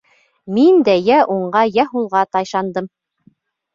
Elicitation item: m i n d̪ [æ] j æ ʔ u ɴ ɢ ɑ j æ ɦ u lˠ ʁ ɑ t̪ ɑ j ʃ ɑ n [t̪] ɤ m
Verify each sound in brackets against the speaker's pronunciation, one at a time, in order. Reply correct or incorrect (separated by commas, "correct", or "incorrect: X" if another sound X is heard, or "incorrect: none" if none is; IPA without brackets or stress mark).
correct, incorrect: d̪